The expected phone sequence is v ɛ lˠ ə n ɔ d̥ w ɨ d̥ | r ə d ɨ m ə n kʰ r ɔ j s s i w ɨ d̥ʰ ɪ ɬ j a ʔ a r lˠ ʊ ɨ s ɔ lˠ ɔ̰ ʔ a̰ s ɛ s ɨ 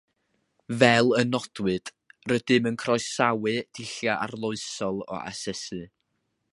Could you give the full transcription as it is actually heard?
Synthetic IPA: v ɛ lˠ ə n ɔ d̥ w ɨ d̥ | r ə d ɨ m ə n kʰ r ɔ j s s a w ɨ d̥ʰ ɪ ɬ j a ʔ a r lˠ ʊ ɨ s ɔ lˠ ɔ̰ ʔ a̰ s ɛ s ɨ